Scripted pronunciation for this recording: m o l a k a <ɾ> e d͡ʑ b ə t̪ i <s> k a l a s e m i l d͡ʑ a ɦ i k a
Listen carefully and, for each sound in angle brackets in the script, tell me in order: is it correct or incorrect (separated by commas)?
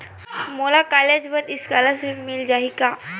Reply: incorrect, correct